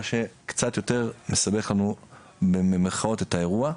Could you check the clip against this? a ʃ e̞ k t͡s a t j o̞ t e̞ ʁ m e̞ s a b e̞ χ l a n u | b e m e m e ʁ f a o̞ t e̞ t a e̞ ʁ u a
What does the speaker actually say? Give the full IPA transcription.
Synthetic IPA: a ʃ e̞ k t͡s a t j o̞ t e̞ ʁ m e̞ s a b e̞ χ l a n u | b e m e m e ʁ χ a o̞ t e̞ t a e̞ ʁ u a

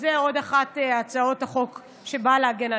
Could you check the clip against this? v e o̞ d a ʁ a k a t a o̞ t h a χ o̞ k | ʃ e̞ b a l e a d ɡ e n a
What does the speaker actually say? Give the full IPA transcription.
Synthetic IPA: z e o̞ d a χ a t a t͡s a o̞ t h a χ o̞ k | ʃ e̞ b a l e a ɡ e n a

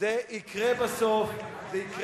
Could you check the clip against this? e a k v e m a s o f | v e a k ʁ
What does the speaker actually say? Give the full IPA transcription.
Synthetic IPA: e i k ʁ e b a s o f | z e i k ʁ

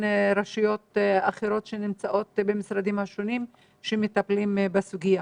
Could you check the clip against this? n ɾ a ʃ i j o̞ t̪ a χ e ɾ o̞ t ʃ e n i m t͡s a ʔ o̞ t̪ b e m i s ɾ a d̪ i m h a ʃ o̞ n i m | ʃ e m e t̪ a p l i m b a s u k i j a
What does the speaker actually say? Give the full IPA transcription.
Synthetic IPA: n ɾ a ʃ i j o̞ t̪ a χ e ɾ o̞ t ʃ e n i m t͡s a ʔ o̞ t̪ b e m i s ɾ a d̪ i m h a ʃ o̞ n i m | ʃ e m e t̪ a p l i m b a s u ɡ i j a

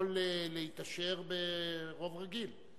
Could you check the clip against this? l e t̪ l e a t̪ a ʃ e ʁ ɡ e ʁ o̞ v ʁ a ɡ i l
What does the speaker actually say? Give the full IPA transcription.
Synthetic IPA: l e l e i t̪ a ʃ e ʁ b e ʁ o̞ v ʁ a ɡ i l

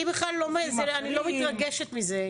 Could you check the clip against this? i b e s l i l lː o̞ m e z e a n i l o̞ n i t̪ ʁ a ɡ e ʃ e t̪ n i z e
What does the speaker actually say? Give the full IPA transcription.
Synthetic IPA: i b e χ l a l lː o̞ m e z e a n i l o̞ m i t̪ ʁ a ɡ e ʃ e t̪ m i z e

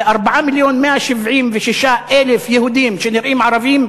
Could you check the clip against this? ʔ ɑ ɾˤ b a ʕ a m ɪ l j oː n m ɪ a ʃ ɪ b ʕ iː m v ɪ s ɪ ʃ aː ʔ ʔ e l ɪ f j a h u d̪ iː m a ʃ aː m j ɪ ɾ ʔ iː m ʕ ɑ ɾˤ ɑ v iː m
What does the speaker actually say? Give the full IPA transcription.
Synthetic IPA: ʔ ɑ ɾˤ b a ʕ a m ɪ l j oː n m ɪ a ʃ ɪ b ʕ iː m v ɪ ʃ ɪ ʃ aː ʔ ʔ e l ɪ f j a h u d̪ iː m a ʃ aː n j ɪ ɾ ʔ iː m ʕ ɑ ɾˤ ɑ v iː m

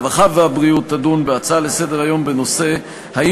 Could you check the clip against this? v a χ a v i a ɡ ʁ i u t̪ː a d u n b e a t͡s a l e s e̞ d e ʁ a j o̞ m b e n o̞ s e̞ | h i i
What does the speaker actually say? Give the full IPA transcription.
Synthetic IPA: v a χ a v e a b ʁ i u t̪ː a d u n b e a t͡s a l e s e̞ d e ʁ a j o̞ m b e n o̞ s e̞ | h a i

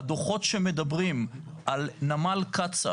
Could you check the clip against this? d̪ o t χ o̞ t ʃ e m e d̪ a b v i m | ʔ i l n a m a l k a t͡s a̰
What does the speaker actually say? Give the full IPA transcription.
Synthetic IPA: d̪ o χ o̞ t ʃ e m e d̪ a b ʁ i m | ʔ a l n a m a l k a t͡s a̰

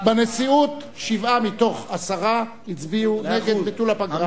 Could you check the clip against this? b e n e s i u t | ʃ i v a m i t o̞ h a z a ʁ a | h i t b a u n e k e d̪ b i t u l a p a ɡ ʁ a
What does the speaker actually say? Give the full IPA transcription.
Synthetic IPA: b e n e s i u t | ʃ i v a m i t o̞ χ a s a ʁ a | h i t͡s b i u n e ɡ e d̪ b i t u l a p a ɡ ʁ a

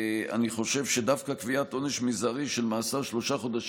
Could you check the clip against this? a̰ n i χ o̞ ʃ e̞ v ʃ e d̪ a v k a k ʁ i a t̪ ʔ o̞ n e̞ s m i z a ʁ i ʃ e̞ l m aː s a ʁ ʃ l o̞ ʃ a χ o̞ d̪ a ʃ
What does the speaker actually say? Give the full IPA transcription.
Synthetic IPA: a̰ n i χ o̞ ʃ e̞ v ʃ e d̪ a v k a k v i a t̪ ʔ o̞ n e̞ ʃ m i z a ʁ i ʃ e̞ l m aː s a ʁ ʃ l o̞ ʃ a χ o̞ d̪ a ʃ

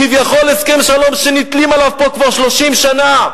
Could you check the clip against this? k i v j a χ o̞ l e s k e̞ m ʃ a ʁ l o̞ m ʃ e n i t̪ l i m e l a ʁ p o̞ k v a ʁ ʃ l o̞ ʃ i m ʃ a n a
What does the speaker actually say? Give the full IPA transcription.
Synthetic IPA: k i v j a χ o̞ l e s k e̞ m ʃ a l o̞ m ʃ e n i t̪ l i m a l a v p o̞ k v a ʁ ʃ l o̞ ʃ i m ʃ a n a

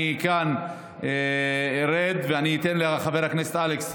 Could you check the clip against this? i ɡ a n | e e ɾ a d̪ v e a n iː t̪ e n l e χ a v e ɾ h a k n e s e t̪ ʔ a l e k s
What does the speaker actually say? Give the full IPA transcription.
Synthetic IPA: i k a n | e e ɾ e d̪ v e a n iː t̪ e n l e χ a v e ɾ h a k n e s e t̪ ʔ a l e k s

